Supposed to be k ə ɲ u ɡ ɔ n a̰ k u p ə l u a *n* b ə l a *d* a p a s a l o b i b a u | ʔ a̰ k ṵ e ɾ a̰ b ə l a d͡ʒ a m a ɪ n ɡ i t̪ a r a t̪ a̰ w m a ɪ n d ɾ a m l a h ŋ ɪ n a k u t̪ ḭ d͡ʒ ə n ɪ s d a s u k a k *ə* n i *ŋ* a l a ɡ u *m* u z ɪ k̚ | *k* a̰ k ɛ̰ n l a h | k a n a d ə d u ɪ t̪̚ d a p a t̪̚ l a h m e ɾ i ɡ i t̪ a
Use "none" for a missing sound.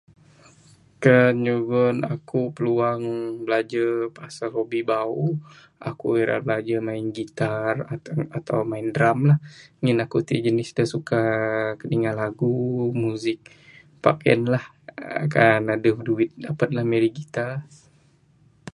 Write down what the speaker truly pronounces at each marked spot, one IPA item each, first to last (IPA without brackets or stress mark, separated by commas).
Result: ŋ, d͡ʒ, ə, ŋ, m, p